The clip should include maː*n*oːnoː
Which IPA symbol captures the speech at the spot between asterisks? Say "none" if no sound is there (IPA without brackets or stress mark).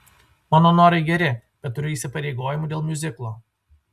n